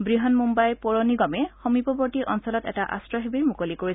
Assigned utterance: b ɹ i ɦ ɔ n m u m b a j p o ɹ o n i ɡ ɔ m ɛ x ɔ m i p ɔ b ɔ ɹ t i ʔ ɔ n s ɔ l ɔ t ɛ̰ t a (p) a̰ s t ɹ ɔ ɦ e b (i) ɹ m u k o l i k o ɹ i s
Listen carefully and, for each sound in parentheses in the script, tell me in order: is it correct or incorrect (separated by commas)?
incorrect, correct